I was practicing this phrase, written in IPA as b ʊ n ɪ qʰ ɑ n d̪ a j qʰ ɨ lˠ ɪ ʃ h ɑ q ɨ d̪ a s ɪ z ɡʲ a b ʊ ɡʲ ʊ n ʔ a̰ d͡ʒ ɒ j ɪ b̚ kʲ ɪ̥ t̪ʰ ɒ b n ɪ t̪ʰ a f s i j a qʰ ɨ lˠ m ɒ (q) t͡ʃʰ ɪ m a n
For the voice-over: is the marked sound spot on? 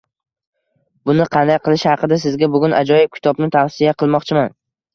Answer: yes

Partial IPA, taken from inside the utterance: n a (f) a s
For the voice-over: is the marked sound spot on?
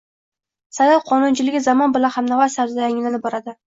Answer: no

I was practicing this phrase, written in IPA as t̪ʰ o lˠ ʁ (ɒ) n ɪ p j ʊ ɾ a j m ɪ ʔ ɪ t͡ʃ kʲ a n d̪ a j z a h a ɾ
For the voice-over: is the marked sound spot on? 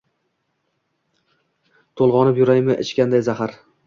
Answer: yes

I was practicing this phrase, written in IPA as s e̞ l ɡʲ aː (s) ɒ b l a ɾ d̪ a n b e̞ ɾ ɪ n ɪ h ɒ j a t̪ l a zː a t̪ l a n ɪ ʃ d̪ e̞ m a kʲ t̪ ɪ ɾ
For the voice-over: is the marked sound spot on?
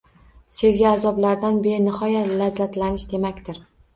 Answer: no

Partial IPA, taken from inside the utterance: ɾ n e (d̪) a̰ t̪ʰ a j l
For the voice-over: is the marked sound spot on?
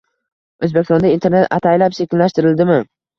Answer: no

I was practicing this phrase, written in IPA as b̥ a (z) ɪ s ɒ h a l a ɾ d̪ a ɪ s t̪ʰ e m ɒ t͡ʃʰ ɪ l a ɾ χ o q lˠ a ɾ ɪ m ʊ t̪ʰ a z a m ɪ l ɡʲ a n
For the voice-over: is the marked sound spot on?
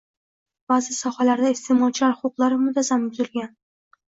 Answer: yes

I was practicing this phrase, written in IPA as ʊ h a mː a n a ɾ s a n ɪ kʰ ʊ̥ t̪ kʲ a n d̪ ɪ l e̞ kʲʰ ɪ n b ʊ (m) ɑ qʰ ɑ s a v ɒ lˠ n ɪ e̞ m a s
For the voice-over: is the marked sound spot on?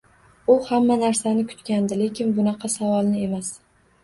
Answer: no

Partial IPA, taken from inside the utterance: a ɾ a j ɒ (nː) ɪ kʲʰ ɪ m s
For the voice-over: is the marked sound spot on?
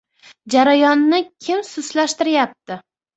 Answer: yes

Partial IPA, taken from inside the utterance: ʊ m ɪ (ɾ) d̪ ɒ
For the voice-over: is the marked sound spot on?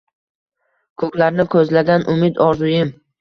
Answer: no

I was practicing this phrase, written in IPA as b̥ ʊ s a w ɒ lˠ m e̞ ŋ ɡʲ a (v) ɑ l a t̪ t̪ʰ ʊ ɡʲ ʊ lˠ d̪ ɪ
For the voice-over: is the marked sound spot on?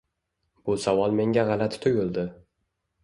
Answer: no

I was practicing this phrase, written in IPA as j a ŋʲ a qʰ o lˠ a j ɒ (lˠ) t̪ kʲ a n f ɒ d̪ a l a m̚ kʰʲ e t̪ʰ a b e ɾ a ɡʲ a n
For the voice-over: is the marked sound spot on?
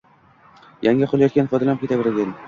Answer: no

